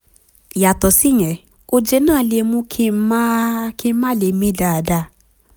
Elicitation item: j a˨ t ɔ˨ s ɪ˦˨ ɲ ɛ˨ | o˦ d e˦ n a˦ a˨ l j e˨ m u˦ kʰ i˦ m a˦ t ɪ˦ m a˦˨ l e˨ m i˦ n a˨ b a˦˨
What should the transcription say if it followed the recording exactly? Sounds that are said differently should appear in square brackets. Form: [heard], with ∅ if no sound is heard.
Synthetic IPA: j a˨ t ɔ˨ s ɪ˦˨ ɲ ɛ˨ | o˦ [d͡ʒ] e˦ n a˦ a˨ l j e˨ m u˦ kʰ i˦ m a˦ [k] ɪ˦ m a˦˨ l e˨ m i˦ [d] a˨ [d] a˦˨

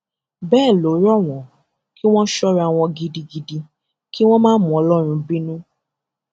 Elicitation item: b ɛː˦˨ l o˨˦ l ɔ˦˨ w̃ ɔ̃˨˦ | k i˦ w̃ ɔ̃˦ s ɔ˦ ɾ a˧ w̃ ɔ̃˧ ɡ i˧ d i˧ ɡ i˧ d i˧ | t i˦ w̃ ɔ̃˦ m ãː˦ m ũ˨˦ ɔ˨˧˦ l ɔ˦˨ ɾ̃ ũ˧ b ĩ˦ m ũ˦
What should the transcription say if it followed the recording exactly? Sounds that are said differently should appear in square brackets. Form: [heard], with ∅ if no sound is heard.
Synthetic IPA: b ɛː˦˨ l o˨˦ [ɾ] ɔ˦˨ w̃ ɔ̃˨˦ | k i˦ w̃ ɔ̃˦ [ʃ] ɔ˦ ɾ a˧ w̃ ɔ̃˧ ɡ i˧ d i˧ ɡ i˧ d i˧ | [k] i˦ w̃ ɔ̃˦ m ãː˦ m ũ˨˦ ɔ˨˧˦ l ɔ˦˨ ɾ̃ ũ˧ b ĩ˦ [n] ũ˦

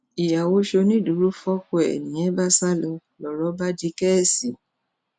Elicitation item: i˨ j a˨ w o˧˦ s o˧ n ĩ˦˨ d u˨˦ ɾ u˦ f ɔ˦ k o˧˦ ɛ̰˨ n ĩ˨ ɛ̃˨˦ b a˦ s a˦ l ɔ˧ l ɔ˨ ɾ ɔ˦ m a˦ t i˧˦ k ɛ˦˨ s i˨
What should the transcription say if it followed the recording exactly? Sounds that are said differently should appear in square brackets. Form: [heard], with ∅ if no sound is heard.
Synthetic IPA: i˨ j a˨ w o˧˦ [ʃ] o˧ n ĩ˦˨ d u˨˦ ɾ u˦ f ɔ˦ k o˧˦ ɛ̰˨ n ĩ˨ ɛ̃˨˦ b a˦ s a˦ l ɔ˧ l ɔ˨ ɾ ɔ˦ [b] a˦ [d] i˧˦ k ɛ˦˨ s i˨

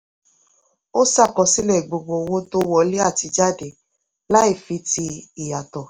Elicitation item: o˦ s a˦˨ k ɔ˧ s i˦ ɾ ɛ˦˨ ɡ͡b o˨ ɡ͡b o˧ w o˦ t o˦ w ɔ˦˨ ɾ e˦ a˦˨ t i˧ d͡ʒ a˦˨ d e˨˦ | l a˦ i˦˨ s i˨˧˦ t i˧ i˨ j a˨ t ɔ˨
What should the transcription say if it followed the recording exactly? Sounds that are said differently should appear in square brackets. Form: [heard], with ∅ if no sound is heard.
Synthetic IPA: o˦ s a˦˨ k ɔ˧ s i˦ [l] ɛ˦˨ ɡ͡b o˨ ɡ͡b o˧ w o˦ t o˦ w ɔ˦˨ [l] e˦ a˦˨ t i˧ d͡ʒ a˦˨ d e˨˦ | l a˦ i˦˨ [f] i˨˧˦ t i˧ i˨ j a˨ t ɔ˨

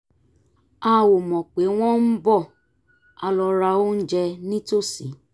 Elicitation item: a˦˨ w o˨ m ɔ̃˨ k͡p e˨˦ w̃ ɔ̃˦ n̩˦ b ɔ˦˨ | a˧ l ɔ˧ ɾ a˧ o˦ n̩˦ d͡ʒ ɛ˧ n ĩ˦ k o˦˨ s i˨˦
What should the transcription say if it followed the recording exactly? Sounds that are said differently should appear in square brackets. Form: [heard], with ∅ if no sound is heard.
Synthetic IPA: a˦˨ w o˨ m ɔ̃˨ k͡p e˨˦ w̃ ɔ̃˦ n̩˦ b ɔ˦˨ | a˧ l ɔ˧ ɾ a˧ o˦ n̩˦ d͡ʒ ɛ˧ n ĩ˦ [t] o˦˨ s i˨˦

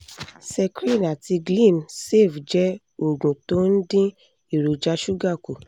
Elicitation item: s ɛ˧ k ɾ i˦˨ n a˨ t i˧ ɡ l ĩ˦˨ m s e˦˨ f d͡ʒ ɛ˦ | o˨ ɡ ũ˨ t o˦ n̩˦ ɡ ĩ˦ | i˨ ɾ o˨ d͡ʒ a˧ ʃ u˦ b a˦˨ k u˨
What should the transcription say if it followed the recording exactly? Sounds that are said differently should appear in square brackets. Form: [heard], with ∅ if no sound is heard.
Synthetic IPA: s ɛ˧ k ɾ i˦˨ n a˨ t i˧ ɡ l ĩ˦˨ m s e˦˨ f d͡ʒ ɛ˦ | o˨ ɡ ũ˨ t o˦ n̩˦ [d] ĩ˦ | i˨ ɾ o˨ d͡ʒ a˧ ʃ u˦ [ɡ] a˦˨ k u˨

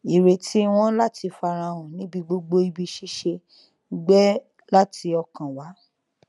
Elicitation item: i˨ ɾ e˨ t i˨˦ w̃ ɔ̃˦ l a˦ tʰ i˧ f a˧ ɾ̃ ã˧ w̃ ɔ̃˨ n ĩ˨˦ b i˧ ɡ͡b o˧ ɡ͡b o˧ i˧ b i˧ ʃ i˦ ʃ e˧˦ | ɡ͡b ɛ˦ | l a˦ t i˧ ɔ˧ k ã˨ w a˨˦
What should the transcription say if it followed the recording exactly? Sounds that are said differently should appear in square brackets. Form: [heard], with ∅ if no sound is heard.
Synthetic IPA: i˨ ɾ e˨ t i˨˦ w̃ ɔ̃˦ l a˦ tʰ i˧ f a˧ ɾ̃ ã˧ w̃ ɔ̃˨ n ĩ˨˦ b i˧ ɡ͡b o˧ ɡ͡b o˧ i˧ b i˧ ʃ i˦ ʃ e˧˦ | ɡ͡b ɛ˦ | l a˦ t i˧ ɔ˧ k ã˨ w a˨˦

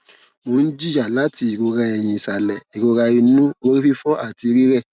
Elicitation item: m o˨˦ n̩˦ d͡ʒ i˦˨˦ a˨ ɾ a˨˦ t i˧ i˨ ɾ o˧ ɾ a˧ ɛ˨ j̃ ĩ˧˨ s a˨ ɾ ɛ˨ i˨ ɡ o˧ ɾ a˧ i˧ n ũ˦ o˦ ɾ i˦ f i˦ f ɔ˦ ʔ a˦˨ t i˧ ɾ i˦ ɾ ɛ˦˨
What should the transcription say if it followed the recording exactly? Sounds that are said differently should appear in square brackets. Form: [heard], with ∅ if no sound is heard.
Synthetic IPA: m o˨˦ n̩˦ d͡ʒ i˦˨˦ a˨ [l] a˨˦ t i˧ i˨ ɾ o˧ ɾ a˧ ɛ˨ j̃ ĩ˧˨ s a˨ [l] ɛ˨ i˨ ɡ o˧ ɾ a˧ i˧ n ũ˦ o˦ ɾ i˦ f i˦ f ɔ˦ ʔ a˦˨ t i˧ ɾ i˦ ɾ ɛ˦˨

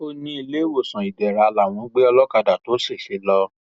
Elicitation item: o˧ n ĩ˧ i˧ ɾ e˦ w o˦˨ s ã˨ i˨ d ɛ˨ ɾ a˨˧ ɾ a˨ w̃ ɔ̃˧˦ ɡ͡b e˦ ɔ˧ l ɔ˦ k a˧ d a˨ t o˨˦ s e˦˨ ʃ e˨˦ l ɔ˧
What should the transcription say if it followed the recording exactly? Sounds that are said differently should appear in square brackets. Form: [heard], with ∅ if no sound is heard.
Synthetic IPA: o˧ n ĩ˧ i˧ [l] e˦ w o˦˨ s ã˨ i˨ d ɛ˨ ɾ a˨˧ [l] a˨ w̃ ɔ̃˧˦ ɡ͡b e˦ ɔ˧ l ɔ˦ k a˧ d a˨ t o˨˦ s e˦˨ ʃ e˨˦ l ɔ˧

